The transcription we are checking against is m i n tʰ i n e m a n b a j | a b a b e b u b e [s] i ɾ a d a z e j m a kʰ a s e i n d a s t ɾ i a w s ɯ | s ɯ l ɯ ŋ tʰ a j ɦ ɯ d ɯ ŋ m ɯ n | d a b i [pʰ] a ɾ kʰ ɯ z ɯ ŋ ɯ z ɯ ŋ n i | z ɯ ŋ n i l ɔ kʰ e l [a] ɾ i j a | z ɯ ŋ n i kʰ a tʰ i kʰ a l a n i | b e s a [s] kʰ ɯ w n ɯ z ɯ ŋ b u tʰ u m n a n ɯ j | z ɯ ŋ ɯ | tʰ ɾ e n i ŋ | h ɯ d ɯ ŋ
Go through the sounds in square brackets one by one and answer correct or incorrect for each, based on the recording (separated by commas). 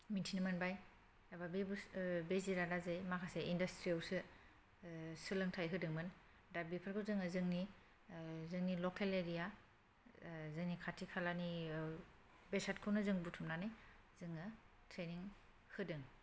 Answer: incorrect, correct, incorrect, incorrect